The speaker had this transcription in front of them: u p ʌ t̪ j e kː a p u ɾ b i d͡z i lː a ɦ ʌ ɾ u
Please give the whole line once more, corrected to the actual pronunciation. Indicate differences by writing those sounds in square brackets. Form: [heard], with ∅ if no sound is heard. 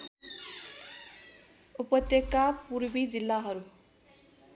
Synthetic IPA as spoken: u p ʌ t̪ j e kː a p u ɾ b i d͡z i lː a ɦ ʌ ɾ u